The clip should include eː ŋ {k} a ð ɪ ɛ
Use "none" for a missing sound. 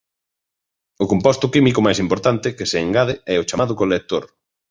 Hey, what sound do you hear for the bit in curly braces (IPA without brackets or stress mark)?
ɡ